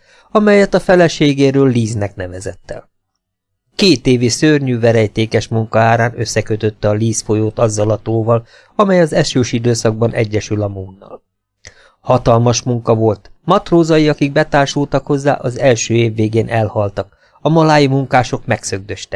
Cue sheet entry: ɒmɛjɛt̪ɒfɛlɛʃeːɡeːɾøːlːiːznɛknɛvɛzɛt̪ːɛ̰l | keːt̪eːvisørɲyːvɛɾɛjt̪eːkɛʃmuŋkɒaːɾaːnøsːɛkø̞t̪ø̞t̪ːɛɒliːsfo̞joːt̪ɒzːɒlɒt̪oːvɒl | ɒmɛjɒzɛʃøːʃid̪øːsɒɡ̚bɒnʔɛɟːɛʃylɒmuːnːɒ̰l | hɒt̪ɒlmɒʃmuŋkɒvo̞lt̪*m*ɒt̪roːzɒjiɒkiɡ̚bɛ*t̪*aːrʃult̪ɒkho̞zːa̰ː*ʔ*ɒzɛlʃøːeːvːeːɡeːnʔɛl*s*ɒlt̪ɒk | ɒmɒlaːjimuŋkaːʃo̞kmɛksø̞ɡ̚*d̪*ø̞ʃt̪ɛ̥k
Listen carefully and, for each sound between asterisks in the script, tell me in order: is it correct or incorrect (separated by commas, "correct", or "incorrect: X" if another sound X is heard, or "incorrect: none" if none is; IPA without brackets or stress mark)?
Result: correct, correct, correct, incorrect: h, correct